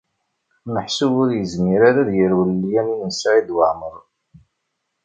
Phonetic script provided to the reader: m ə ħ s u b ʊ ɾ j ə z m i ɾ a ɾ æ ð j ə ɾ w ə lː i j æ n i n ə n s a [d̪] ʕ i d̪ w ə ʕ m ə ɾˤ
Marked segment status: incorrect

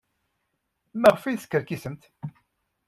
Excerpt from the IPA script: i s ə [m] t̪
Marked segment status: correct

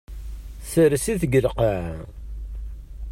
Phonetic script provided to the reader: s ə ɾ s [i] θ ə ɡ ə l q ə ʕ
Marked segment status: correct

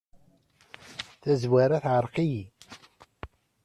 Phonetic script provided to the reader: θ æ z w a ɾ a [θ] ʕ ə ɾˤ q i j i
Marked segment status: correct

